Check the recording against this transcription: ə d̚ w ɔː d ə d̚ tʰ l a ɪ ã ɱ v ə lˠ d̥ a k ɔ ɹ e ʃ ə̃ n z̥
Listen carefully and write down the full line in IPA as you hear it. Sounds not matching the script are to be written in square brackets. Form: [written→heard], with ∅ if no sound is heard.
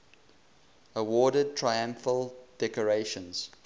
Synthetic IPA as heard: ə [d̚→∅] w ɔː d ə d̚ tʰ [l→ɹ] a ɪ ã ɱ [v→f] ə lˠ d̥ [a→ɛ] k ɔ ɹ e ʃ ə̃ n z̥